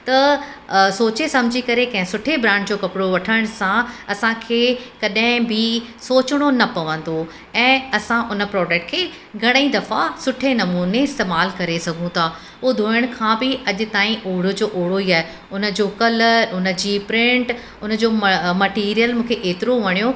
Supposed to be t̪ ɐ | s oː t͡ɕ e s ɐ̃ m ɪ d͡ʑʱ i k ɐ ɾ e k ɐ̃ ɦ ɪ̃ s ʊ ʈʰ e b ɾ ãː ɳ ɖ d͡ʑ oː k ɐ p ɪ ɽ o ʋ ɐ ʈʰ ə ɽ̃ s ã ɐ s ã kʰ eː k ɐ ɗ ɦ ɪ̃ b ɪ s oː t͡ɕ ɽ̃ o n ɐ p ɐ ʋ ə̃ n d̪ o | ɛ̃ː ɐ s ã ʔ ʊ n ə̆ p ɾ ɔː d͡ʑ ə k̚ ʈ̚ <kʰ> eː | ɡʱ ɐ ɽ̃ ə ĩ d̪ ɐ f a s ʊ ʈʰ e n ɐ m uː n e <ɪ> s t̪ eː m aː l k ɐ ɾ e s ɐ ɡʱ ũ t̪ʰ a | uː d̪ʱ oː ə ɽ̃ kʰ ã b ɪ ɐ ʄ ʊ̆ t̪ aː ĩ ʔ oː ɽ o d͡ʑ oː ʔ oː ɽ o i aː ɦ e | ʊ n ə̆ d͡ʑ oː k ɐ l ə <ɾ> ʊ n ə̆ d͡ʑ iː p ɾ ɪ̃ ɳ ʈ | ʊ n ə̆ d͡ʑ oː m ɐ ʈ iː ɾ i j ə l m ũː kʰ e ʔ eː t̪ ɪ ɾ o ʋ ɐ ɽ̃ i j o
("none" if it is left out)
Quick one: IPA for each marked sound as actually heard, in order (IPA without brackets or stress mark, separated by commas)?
kʰ, ɪ, ɾ